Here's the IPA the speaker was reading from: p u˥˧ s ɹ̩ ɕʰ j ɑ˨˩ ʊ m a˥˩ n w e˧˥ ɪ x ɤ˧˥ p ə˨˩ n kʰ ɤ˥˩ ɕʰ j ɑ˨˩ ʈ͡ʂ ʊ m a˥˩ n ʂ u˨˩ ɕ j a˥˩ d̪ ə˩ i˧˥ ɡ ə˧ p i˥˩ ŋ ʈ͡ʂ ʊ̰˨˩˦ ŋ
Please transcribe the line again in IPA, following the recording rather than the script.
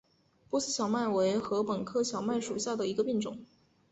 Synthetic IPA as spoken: p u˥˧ s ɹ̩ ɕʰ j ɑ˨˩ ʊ m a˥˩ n w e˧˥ ɪ x ɤ˧˥ p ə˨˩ n kʰ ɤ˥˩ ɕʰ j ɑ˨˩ ʊ m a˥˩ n ʂ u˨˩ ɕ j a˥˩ d̪ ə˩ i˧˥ ɡ ə˧ p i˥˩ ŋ ʈ͡ʂ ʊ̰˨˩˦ ŋ